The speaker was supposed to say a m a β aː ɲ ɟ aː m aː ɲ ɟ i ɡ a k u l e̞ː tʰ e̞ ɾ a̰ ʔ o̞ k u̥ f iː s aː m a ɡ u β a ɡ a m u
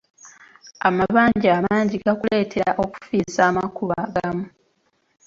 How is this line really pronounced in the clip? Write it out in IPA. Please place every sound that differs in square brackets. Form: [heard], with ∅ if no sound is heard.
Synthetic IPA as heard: a m a β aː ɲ ɟ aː m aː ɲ ɟ i ɡ a k u l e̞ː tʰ e̞ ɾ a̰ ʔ o̞ k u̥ f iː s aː m a [k] u β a ɡ a m u